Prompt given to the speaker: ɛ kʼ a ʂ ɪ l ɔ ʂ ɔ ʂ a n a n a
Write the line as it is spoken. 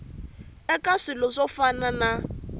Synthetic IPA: ɛ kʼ a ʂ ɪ l ɔ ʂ ɔ f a n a n a